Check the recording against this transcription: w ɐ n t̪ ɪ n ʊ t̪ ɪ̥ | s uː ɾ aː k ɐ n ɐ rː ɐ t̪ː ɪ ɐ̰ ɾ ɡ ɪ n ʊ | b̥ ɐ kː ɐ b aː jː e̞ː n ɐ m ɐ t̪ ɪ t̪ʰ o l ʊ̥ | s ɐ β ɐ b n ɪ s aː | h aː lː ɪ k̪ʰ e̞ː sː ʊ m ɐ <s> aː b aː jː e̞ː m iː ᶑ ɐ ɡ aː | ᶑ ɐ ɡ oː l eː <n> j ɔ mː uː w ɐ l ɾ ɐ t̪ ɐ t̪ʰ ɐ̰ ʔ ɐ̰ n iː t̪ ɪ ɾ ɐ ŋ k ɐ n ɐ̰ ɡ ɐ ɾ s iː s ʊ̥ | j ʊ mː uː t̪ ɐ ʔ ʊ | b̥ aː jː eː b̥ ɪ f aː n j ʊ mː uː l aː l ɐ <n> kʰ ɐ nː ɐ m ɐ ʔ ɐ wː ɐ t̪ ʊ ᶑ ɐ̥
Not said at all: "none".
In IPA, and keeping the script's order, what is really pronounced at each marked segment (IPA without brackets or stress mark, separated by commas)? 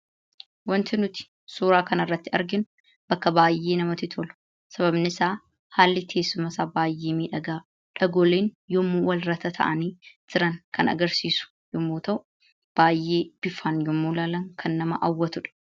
s, n, ŋ